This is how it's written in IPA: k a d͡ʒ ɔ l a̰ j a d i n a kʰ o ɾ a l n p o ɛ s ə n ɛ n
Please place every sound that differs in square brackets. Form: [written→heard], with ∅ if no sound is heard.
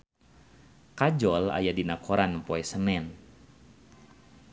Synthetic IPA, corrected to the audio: k a d͡ʒ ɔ l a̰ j a d i n a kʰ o ɾ a [l→∅] n p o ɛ s ə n ɛ n